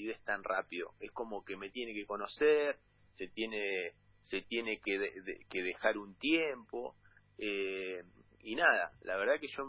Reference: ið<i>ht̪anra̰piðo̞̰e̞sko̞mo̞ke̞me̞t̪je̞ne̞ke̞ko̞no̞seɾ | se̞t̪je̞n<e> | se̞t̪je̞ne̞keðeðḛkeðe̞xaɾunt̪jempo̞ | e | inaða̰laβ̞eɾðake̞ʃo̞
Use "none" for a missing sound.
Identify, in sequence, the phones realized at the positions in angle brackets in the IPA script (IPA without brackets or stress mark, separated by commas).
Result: e, e